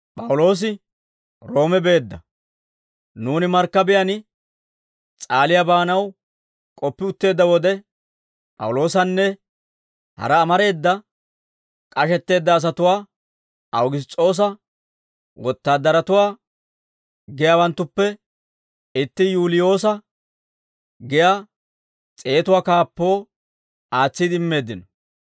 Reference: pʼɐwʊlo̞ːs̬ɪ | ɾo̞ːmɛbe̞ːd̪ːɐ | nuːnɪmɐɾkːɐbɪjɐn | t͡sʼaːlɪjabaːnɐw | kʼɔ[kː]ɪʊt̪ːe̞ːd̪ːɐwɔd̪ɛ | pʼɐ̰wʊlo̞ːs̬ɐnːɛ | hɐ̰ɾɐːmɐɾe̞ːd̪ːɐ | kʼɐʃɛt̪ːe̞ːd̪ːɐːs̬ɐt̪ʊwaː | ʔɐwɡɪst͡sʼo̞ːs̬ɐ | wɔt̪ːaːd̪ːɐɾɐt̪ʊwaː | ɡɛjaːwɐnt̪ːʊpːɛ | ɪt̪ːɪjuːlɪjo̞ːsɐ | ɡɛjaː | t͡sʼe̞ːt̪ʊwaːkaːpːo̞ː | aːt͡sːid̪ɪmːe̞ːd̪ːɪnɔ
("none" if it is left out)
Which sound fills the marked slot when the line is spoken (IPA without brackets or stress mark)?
pː